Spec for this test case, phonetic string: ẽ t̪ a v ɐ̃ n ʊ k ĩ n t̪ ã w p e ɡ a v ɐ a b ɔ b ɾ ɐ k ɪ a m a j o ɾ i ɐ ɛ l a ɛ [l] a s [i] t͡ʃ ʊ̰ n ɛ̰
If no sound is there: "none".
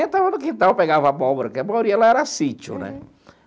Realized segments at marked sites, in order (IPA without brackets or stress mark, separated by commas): ɾ, i